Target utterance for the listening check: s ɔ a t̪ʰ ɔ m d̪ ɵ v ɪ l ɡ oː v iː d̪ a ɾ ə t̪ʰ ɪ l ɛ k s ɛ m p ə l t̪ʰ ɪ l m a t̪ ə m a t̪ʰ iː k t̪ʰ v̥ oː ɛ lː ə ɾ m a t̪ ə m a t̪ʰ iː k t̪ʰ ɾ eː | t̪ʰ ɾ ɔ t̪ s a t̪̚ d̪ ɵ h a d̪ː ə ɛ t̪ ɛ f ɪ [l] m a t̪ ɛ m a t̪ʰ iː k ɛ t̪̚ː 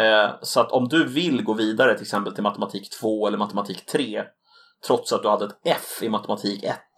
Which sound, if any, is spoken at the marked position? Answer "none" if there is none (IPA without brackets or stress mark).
none